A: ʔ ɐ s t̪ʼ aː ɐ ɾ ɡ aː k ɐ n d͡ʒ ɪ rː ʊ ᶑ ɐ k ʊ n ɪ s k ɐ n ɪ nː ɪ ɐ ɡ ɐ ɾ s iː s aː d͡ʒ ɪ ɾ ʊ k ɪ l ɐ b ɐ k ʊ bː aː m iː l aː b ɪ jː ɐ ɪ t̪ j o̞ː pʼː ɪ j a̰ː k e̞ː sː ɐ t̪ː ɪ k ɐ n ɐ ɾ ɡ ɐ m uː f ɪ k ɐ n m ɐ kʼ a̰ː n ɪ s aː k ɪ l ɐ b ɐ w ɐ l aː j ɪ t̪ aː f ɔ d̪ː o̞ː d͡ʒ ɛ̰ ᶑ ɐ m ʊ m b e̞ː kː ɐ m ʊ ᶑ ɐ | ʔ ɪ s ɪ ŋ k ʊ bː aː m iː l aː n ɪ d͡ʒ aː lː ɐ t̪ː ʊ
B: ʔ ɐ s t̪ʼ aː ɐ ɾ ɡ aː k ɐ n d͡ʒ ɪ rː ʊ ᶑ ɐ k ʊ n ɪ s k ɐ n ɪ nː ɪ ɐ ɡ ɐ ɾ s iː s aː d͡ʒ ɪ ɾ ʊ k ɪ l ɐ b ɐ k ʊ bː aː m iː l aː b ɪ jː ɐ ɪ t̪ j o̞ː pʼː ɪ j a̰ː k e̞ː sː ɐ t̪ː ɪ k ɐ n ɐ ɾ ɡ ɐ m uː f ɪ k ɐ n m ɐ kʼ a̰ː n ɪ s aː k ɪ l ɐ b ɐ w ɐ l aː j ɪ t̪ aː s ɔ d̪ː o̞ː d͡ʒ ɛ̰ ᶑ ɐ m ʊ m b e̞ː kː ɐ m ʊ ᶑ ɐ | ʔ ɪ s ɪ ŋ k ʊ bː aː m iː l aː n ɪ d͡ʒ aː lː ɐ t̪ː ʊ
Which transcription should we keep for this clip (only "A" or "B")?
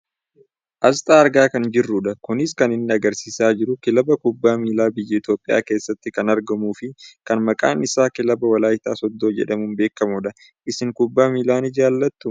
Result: B